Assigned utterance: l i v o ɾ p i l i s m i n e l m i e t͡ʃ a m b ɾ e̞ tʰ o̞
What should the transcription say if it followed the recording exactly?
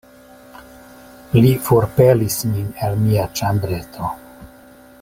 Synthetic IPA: l i f o ɾ p e l i s m i n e l m i a t͡ʃ a m b ɾ e̞ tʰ o̞